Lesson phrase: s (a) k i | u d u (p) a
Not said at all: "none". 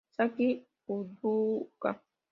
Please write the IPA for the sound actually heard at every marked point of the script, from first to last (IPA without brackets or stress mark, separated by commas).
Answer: a, k